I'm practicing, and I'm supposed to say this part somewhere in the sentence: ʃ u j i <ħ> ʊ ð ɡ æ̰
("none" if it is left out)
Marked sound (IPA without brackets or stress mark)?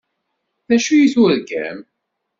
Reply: θ